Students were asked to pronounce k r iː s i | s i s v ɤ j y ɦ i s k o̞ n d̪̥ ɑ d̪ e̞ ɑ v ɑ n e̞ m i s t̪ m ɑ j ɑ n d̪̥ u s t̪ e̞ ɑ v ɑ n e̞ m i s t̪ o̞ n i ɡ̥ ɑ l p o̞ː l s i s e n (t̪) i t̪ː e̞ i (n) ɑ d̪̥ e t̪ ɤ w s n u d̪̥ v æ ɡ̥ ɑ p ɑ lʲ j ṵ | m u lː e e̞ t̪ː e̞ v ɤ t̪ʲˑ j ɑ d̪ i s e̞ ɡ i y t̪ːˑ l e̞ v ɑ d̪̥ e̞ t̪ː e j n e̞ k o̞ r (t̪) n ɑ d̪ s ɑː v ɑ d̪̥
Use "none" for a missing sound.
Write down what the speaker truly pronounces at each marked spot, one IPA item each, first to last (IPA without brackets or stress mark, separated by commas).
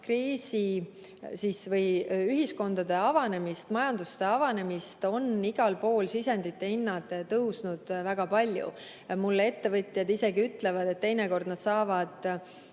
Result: d̪, nː, d̪